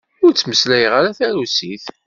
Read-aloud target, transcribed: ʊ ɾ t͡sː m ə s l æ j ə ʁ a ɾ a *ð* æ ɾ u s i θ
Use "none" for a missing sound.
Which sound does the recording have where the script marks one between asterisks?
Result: θ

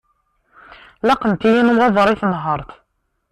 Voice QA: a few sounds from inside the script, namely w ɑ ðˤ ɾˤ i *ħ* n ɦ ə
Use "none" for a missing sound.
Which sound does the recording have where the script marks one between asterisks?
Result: θ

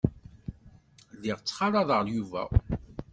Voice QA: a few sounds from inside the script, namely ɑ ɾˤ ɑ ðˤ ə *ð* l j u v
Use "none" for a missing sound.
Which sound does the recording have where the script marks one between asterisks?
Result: ʁ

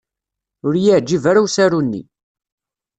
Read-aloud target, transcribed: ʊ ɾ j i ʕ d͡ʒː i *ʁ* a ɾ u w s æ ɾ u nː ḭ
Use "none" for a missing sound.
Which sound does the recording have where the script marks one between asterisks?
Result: v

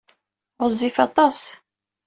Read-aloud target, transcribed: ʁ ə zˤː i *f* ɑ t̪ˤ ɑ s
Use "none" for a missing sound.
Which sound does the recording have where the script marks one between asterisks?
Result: f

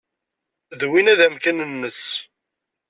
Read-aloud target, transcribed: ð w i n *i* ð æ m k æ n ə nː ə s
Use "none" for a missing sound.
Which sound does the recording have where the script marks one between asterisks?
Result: æ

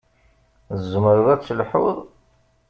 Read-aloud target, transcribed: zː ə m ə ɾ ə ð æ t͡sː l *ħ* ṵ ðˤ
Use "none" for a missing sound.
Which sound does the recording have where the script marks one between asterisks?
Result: ħ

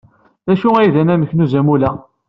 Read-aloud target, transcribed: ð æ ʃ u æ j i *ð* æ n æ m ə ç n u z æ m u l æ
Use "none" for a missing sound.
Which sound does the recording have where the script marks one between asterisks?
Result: ð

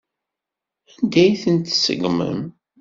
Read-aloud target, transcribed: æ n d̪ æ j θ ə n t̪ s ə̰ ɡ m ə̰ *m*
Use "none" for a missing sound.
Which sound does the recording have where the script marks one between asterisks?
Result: m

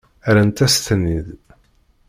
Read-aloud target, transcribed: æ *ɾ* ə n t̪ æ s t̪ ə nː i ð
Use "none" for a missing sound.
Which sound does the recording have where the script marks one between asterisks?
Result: ɾ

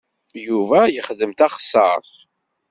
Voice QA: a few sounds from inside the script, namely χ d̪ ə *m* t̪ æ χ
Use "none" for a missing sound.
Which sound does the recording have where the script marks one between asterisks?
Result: m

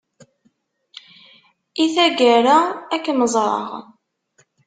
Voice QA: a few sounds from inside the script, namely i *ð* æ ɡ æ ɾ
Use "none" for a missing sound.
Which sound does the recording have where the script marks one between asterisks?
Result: θ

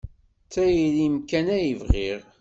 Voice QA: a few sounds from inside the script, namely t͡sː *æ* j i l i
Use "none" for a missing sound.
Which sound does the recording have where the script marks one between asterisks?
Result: æ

